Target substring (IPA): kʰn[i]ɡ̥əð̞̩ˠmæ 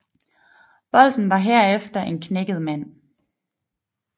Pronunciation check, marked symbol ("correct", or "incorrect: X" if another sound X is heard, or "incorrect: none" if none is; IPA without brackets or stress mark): incorrect: e